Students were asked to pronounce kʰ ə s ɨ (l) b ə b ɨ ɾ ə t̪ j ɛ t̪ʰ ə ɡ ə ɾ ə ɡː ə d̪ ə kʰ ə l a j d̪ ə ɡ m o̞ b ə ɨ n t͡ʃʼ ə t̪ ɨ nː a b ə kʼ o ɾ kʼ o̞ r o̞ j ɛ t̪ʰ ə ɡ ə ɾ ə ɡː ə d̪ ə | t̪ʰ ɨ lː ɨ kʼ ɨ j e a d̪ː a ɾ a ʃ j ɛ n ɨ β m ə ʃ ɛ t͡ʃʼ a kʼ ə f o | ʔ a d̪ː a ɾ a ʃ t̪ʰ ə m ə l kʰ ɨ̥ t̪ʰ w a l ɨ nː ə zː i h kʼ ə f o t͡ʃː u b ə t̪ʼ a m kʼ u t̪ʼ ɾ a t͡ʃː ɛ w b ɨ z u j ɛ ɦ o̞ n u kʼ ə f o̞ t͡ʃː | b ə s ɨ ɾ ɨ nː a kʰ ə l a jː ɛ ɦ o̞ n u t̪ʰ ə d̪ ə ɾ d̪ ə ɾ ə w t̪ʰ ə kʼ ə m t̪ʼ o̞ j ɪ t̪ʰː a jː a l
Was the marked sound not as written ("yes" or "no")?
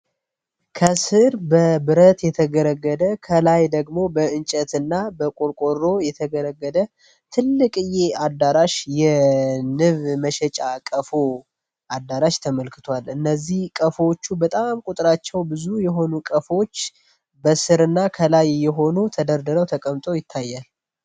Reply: yes